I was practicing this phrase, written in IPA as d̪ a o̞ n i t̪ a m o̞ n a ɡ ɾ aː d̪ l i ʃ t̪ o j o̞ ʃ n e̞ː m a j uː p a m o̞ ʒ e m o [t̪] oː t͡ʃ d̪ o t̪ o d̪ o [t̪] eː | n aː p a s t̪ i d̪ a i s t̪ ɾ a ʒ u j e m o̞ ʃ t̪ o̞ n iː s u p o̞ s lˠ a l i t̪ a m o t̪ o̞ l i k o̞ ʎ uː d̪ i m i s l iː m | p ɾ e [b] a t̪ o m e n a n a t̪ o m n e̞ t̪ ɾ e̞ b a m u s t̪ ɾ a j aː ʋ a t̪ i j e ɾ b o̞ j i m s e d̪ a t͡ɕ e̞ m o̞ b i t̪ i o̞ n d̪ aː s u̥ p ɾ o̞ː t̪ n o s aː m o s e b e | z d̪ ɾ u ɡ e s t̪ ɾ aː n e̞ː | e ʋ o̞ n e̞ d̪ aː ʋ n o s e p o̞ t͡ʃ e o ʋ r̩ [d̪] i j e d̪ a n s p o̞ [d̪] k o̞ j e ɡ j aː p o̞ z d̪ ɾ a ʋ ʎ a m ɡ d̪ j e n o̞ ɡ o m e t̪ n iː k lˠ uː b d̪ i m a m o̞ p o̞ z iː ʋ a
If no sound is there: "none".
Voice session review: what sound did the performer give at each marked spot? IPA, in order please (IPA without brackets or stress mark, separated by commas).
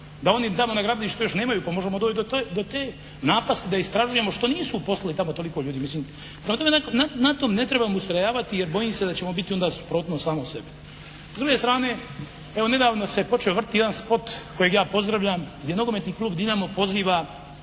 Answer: d̪, t̪, m, t̪, t̪